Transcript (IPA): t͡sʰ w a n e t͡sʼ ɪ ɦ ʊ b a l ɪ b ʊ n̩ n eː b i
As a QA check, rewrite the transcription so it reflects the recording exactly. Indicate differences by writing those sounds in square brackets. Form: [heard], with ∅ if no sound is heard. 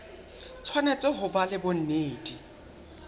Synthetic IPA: t͡sʰ w a n e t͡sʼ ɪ ɦ ʊ b a l ɪ b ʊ n̩ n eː [d] i